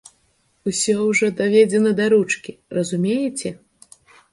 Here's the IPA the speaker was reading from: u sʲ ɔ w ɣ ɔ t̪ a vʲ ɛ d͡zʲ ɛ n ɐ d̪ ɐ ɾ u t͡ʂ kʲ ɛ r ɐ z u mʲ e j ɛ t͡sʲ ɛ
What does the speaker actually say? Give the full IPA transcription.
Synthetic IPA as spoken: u sʲ ɔ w ʐ ɔ d̪ a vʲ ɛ d͡zʲ ɛ n ɐ d̪ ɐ ɾ u t͡ʂ kʲ i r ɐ z u mʲ e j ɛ t͡sʲ ɛ